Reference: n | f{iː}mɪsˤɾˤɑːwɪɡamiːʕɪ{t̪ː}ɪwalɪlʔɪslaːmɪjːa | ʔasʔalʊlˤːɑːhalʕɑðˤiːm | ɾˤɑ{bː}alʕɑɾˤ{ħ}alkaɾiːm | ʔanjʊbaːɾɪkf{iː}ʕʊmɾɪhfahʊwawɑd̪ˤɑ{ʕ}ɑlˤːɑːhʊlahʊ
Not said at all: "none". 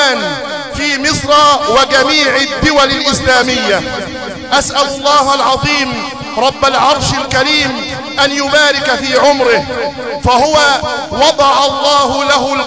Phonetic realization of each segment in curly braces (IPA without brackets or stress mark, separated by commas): iː, d̪ː, bː, ʃ, iː, ʕ